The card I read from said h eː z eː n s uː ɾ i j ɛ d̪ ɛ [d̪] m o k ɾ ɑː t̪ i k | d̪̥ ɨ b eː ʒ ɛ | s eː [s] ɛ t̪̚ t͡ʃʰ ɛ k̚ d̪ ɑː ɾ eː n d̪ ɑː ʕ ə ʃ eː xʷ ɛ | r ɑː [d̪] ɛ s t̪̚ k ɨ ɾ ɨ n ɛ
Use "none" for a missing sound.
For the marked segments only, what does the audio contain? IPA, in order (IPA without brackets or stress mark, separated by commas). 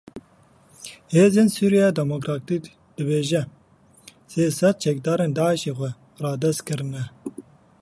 none, s, d̪